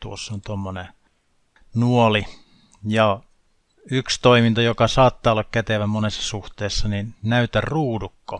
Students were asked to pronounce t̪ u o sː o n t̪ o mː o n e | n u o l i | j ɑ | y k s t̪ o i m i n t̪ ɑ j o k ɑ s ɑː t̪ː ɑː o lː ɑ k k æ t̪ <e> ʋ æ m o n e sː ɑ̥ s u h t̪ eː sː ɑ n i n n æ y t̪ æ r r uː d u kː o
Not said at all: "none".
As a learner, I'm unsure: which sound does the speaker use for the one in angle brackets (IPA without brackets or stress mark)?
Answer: e